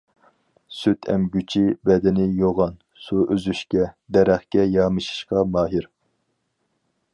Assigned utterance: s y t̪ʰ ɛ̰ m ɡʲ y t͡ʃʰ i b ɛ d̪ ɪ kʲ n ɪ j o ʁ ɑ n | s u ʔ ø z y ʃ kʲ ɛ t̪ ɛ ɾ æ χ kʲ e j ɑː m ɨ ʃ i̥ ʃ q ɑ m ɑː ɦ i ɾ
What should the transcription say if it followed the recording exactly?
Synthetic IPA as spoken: s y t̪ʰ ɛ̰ m ɡʲ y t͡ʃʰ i b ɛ d̪ ɪ n ɪ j o ʁ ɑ n | s u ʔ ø z y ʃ kʲ ɛ d̪ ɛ ɾ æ χ kʲ ɛ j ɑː m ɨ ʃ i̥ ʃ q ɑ m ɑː ɦ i ɾ

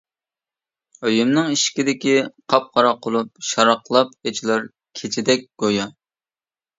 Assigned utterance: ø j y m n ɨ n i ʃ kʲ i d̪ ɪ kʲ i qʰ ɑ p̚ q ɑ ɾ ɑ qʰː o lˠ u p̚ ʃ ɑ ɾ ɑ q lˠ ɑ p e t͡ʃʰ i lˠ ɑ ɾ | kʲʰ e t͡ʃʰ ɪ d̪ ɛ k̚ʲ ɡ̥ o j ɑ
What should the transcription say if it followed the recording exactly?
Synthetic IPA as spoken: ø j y m n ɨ ŋ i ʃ kʲ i d̪ ɪ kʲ i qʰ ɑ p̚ q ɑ ɾ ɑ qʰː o lˠ u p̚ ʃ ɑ ɾ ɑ q lˠ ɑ p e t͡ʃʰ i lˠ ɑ ɾ | kʲʰ e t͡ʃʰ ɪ d̪ ɛ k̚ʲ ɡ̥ o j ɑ

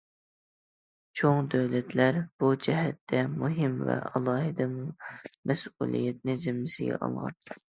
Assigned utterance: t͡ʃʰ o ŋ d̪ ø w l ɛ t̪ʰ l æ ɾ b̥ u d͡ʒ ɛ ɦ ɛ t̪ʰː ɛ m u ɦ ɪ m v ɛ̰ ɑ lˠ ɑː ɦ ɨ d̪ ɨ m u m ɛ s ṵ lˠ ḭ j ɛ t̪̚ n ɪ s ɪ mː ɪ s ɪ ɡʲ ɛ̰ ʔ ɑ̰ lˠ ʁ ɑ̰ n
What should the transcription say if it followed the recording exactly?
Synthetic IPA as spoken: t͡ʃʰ o ŋ d̪ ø w l ɛ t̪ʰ l æ ɾ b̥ u d͡ʒ ɛ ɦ ɛ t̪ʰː ɛ m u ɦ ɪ m v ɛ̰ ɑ lˠ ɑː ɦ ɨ d̪ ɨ m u m ɛ s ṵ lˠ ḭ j ɛ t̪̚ n ɪ z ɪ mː ɪ s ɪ ɡʲ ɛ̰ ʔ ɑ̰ lˠ ʁ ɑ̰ n

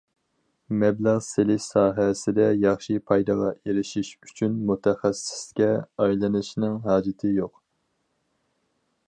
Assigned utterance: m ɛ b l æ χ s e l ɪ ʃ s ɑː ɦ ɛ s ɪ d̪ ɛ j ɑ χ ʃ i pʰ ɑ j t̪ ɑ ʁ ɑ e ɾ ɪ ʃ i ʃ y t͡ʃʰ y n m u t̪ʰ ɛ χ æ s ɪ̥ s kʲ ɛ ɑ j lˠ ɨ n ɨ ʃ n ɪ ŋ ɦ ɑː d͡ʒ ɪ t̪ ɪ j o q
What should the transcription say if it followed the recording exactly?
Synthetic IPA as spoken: m ɛ b l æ ʁ s e l ɪ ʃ s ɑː ɦ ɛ s ɪ d̪ ɛ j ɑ χ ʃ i pʰ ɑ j d̪ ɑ ʁ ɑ e ɾ ɪ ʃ i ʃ y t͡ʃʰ y n m u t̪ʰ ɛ χ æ s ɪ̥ s kʲ ɛ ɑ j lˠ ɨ n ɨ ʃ n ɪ ŋ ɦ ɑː d͡ʒ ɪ t̪ʰ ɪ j o q

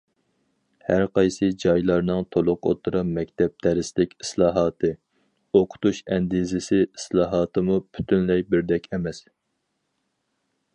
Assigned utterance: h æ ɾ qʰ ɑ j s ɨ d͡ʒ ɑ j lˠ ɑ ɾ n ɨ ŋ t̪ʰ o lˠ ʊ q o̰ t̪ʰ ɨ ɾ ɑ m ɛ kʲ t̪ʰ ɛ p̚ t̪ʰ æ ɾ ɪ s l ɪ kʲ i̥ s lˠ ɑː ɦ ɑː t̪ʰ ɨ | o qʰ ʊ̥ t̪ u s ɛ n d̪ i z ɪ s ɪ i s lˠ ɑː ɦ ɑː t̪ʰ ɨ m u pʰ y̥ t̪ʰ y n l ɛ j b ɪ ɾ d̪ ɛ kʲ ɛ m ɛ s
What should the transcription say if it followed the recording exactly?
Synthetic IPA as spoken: h æ ɾ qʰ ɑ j s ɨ d͡ʒ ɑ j lˠ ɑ ɾ n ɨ ŋ t̪ʰ o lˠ ʊ q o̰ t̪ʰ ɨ ɾ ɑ m ɛ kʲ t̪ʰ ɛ p̚ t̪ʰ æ ɾ ɪ s l ɪ kʲ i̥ s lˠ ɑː ɦ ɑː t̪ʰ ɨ | o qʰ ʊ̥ t̪ u ʃ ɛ n d̪ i z ɪ s ɪ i s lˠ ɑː ɦ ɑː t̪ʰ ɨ m u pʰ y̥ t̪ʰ y n l ɛ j b ɪ ɾ d̪ ɛ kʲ ɛ m ɛ s

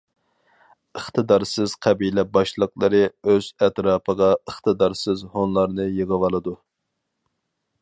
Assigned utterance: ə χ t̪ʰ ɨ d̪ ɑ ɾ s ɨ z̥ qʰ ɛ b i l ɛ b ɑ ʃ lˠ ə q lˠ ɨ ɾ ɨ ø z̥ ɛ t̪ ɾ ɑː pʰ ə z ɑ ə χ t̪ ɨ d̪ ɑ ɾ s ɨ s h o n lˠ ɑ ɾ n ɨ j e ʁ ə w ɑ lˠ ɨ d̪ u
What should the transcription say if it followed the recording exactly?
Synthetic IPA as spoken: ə χ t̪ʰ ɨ d̪ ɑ ɾ s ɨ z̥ qʰ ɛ b i l ɛ b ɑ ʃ lˠ ə q lˠ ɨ ɾ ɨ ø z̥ ɛ t̪ ɾ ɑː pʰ ə ʁ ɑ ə χ t̪ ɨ d̪ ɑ ɾ s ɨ z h o n lˠ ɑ ɾ n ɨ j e ʁ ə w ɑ lˠ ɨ d̪ u

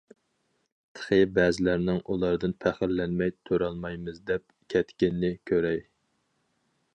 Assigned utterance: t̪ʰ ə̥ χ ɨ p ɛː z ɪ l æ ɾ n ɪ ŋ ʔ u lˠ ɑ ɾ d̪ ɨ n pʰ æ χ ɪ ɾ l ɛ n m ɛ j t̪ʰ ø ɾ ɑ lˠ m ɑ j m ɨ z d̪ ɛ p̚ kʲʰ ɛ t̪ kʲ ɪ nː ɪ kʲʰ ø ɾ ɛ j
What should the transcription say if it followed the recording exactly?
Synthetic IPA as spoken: t̪ʰ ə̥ χ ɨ b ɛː z ɪ l æ ɾ n ɪ ŋ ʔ u lˠ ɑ ɾ d̪ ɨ n pʰ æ χ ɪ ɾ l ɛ n m ɛ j t̪ʰ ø ɾ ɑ lˠ m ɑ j m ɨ z d̪ ɛ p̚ kʲʰ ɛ t̪ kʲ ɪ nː ɪ kʲʰ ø ɾ ɛ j

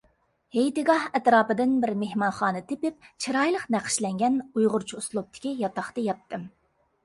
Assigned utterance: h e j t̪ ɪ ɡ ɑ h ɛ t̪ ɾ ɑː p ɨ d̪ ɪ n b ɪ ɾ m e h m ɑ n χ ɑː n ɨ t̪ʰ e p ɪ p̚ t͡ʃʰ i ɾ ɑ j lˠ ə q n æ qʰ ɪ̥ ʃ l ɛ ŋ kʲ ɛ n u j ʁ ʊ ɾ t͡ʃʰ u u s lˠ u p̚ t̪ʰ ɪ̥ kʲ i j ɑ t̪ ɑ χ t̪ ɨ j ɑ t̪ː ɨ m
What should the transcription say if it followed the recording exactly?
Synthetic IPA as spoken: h e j t̪ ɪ ɡ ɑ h ɛ t̪ ɾ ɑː p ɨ d̪ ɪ n b ɪ ɾ m e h m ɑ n χ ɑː n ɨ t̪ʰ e p ɪ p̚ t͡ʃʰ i ɾ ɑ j lˠ ə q n æ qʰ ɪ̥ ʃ l ɛ ŋ ɡʲ ɛ n u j ʁ ʊ ɾ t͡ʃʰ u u s lˠ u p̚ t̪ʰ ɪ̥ kʲ i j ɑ t̪ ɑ χ t̪ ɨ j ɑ t̪ː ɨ m

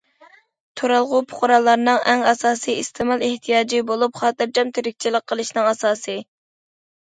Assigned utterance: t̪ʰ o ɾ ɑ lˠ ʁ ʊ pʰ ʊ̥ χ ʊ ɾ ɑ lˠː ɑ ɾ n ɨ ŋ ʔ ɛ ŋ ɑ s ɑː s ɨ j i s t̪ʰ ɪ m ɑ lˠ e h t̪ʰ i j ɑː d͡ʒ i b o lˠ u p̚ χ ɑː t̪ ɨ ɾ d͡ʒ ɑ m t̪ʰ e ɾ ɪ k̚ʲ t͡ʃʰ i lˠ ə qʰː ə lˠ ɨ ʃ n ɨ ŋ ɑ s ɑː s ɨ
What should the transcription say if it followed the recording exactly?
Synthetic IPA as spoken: t̪ʰ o ɾ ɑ lˠ ʁ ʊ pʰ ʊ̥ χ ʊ ɾ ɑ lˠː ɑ ɾ n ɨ ŋ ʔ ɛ ŋ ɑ s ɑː s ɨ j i s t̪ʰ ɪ m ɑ lˠ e h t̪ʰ i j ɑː d͡ʒ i b o lˠ u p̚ χ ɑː t̪ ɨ ɾ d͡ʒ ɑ m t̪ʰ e ɾ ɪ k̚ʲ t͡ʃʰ i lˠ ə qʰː ə lˠ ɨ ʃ n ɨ ŋ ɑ s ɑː s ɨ

